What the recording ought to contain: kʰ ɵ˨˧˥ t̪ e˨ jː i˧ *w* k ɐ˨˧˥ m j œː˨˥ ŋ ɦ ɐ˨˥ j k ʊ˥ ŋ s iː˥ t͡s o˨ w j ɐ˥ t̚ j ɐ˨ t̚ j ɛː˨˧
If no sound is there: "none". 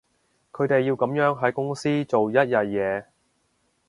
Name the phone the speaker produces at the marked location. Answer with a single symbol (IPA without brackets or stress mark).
w